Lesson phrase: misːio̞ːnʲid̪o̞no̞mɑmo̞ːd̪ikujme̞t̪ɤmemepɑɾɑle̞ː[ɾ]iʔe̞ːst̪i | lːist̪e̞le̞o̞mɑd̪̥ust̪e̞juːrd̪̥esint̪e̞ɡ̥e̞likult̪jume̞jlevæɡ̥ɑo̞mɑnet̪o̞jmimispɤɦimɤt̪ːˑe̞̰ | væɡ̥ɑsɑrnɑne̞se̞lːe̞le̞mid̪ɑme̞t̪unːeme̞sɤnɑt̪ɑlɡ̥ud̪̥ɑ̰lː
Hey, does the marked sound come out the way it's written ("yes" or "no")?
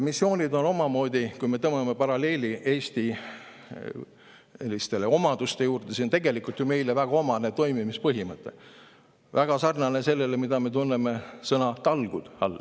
no